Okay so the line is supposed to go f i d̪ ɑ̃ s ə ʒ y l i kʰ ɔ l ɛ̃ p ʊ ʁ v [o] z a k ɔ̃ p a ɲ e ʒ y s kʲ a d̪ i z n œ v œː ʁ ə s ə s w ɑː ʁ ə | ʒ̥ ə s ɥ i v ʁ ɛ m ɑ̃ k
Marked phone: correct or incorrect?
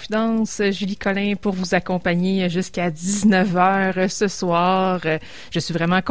incorrect